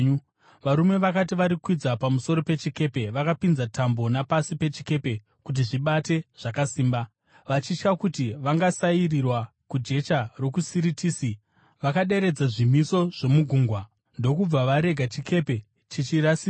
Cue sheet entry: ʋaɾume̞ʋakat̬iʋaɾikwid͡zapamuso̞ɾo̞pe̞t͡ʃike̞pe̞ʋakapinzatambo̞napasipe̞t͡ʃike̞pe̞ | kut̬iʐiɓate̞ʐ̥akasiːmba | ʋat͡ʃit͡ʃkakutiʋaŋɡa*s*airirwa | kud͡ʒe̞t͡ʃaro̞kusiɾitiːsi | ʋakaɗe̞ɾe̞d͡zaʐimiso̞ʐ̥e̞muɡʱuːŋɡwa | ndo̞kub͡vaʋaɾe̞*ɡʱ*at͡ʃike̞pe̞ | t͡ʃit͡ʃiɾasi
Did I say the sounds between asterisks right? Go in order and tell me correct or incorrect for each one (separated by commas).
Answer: correct, correct